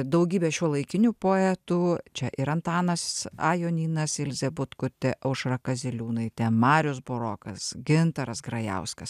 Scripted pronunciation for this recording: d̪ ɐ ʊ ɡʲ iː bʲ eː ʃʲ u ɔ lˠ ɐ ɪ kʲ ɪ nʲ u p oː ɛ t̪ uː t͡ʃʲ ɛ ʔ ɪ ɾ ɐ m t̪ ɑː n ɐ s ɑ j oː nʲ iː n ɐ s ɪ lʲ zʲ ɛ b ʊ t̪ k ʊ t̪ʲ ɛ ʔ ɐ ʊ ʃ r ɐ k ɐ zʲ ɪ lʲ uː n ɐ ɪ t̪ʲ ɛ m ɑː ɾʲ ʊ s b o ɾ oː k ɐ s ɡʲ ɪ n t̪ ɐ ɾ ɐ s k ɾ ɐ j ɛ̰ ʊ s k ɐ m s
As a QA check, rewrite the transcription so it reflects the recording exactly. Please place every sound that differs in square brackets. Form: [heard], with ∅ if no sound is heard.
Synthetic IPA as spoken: d̪ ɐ ʊ ɡʲ iː bʲ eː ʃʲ u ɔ lˠ ɐ ɪ kʲ ɪ nʲ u p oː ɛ t̪ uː t͡ʃʲ ɛ ʔ ɪ ɾ ɐ [n] t̪ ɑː n ɐ s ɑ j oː nʲ iː n ɐ s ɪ lʲ zʲ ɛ b ʊ t̪ k ʊ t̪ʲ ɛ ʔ ɐ ʊ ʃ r ɐ k ɐ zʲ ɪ lʲ uː n ɐ ɪ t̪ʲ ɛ m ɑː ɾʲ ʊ s b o ɾ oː k ɐ s ɡʲ ɪ n t̪ ɐ ɾ ɐ s [ɡ] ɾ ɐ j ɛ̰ ʊ s k ɐ [∅] s